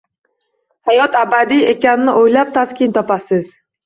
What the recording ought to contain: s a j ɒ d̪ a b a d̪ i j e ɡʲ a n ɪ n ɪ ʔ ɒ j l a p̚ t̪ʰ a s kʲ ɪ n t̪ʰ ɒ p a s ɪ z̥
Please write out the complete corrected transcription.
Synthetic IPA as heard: h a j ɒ t̪ a b a d̪ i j e kʲ a n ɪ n ɪ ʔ o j l a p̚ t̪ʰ a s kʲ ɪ n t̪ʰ ɒ p a s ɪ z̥